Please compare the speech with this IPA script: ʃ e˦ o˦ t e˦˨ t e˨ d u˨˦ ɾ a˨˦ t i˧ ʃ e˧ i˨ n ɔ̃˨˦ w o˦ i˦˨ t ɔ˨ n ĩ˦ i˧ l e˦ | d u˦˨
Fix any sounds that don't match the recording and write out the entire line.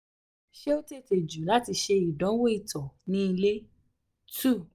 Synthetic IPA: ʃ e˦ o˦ t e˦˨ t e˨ d͡ʒ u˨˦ l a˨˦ t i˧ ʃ e˧ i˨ d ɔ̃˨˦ w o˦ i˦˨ t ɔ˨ n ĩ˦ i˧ l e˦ | t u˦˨